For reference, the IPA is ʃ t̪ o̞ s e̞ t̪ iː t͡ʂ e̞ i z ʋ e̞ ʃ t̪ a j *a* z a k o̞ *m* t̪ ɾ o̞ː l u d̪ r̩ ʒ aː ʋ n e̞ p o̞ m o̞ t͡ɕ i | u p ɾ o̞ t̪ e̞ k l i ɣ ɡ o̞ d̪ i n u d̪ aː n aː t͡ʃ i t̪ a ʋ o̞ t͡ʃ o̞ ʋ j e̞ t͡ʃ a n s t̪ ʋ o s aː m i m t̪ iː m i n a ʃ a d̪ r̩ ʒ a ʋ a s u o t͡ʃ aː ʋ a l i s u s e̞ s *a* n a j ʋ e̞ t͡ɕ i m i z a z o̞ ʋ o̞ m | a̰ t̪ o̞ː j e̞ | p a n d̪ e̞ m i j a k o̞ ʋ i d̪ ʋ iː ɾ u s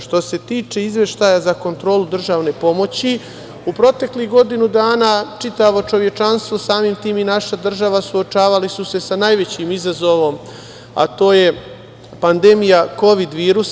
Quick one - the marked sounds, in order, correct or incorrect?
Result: correct, incorrect: n, correct

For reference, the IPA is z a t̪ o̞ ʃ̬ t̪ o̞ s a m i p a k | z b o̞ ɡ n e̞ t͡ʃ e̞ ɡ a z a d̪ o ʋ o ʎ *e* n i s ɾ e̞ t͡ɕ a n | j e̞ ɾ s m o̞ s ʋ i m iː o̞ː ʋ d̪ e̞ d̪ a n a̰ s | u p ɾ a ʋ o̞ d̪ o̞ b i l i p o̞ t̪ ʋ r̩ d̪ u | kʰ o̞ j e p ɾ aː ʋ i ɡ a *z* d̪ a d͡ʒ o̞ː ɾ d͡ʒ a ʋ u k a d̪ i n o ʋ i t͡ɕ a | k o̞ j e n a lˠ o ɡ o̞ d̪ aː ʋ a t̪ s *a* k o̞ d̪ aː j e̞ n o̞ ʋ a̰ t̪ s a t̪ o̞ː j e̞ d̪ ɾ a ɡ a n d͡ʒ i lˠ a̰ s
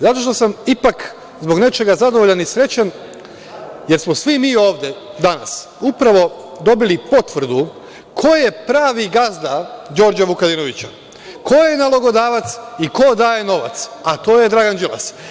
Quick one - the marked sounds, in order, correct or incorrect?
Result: incorrect: a, correct, incorrect: i

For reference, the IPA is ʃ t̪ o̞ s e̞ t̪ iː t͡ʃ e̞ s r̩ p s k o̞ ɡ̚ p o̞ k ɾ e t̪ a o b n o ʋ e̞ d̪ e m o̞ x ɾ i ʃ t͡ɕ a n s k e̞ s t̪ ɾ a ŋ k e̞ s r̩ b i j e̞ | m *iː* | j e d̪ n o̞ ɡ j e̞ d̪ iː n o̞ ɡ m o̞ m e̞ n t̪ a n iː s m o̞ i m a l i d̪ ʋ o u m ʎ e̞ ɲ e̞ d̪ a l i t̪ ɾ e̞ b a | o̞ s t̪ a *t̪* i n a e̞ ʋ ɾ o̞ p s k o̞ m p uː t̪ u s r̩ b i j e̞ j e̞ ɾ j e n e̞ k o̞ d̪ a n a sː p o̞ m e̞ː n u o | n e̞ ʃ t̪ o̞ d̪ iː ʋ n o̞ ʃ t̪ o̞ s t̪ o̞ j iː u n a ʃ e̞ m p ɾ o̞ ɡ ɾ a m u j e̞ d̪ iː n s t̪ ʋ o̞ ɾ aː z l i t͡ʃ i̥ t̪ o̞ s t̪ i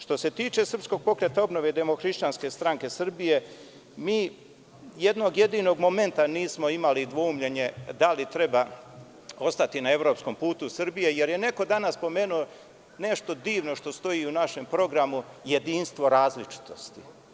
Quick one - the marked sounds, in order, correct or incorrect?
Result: correct, correct

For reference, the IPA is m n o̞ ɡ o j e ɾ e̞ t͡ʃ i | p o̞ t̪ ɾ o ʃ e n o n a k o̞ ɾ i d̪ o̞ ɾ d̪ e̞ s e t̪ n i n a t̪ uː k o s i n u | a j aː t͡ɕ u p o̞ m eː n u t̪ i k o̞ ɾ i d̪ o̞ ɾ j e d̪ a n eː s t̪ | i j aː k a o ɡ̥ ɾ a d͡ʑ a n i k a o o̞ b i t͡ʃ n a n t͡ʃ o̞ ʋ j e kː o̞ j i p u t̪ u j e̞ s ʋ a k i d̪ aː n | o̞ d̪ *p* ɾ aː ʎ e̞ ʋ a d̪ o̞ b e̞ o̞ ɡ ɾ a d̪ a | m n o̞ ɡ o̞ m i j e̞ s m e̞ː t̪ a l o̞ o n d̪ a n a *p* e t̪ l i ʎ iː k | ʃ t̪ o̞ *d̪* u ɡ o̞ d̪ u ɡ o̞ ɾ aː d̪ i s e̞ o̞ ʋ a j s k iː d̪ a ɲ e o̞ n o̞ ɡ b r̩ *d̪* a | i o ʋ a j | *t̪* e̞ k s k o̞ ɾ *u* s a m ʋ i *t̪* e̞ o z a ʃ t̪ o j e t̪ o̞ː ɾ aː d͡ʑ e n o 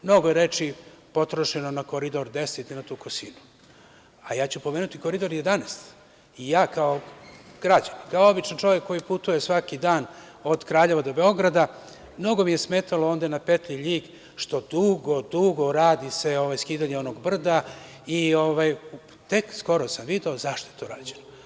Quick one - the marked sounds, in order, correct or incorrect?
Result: incorrect: k, correct, correct, correct, correct, incorrect: o, incorrect: d̪

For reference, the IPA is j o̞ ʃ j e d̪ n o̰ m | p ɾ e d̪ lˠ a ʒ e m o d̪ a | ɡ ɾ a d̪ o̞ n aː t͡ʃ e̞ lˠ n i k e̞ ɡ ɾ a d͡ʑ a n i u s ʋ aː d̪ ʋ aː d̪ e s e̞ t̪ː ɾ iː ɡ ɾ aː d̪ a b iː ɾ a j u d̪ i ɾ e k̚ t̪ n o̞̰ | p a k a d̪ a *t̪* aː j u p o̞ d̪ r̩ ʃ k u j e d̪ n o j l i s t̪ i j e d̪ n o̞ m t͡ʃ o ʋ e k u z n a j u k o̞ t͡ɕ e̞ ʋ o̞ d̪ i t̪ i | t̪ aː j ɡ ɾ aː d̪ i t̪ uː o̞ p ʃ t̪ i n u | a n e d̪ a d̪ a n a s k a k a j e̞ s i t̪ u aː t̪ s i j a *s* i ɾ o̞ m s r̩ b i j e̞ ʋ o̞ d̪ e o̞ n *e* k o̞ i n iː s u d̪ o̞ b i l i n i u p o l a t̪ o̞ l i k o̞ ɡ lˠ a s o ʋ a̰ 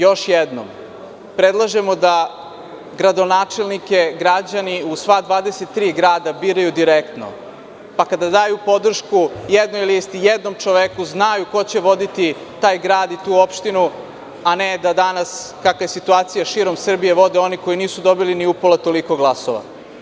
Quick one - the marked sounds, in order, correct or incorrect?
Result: incorrect: d̪, incorrect: ʃ, incorrect: i

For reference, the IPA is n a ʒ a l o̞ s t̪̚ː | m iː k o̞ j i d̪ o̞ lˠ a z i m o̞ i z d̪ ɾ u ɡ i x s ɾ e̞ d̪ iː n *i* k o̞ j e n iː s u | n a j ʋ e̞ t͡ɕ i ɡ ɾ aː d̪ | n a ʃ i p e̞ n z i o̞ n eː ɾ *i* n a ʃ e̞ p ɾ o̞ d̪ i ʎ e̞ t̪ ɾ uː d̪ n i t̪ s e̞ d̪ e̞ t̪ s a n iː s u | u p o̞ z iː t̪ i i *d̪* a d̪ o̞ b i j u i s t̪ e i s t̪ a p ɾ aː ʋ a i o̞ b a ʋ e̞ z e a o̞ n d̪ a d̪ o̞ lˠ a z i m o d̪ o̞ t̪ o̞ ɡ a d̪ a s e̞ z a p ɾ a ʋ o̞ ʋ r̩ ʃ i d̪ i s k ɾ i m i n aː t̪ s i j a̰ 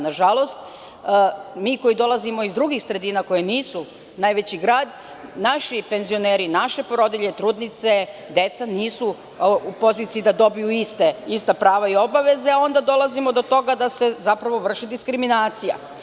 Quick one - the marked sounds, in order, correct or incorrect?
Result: incorrect: a, correct, correct

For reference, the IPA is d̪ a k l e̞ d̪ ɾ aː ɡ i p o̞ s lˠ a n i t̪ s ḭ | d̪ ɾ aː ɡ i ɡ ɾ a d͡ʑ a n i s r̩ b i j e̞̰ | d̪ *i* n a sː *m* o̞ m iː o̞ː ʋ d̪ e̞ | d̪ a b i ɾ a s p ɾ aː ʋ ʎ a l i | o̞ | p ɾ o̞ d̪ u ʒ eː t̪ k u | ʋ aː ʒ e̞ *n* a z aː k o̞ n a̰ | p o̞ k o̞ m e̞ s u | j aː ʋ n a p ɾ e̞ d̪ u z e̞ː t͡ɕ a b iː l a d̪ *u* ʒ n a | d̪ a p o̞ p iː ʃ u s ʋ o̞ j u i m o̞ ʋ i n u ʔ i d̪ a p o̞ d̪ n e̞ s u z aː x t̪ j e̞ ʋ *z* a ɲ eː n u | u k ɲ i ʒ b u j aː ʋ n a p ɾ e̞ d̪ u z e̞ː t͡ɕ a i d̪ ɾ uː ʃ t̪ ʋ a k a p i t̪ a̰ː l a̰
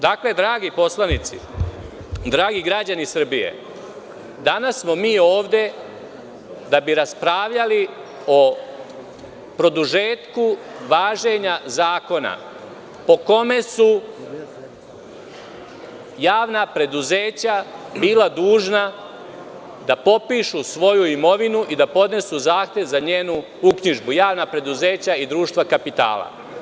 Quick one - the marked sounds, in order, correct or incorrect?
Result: incorrect: a, correct, incorrect: ɲ, incorrect: uː, correct

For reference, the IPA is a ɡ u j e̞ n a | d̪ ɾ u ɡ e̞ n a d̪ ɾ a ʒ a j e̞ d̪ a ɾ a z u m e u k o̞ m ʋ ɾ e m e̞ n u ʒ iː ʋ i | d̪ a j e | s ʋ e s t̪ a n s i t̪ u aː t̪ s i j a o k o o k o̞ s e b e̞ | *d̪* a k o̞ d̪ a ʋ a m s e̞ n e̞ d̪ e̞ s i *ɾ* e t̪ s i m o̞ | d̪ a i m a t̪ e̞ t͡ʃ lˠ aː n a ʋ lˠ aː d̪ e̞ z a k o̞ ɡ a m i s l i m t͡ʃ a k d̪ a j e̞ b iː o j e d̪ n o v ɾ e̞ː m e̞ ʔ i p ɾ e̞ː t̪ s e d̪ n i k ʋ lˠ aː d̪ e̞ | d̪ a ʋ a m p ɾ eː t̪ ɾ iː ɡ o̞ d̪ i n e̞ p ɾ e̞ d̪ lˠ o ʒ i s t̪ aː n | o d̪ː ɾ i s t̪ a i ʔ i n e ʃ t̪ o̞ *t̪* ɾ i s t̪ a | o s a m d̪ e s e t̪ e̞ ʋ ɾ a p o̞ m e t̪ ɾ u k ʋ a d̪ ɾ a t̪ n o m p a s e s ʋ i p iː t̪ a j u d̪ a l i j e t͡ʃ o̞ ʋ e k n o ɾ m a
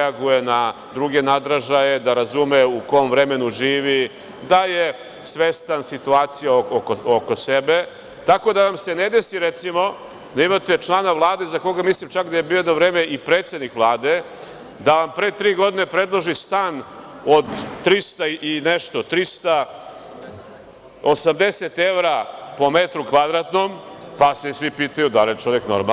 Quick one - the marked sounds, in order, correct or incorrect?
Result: incorrect: t̪, correct, correct

